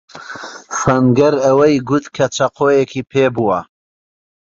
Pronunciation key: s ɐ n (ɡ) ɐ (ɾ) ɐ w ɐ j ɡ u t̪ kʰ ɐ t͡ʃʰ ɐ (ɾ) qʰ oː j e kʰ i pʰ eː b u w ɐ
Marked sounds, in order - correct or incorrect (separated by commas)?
correct, correct, incorrect